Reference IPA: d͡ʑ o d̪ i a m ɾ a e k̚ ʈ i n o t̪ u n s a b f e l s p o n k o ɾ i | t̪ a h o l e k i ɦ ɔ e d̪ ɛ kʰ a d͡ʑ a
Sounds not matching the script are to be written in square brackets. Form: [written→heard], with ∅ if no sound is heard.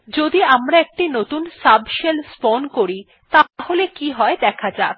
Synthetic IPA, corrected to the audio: d͡ʑ o d̪ i a m ɾ a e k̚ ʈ i n o t̪ u n s a b [f→ʃ] e l s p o n k o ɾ i | t̪ a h o l e k i ɦ ɔ e d̪ ɛ kʰ a d͡ʑ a